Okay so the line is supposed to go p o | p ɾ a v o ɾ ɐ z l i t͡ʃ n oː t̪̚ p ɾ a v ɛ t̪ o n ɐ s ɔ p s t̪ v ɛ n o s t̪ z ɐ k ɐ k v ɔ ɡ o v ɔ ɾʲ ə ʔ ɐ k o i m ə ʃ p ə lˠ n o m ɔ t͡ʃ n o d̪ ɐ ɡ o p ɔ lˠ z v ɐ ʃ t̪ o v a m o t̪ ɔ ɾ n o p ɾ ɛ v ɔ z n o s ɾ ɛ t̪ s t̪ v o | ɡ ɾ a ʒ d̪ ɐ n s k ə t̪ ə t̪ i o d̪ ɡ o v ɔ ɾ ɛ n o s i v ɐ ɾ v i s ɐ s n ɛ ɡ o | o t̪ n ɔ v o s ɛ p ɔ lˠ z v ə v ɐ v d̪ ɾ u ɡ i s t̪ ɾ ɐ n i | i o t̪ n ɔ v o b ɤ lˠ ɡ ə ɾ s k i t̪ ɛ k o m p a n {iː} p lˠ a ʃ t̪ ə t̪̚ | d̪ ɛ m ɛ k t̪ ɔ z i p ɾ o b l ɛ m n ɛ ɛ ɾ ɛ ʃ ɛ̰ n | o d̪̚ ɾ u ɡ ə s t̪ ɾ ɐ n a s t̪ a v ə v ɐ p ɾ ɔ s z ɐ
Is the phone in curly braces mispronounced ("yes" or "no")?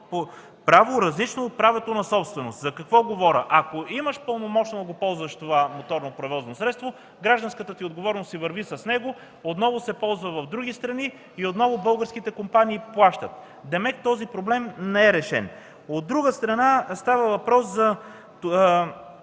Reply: no